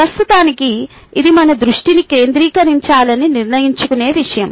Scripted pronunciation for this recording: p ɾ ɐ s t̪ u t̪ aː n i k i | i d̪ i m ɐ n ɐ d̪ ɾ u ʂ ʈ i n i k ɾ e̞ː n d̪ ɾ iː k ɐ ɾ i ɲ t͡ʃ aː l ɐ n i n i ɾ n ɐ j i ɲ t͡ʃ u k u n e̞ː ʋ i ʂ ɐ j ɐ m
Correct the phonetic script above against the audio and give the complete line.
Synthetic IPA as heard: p ɾ ɐ s t̪ u t̪ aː n i k i | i d̪ i m ɐ n ɐ d̪ ɾ u ʂ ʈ i n i k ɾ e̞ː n d̪ ɾ iː k ɐ ɾ i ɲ t͡ʃ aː l ɐ n i n i ɾ n ɐ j i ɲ t͡ʃ u k u n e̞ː ʋ i ʂ ɐ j ɐ m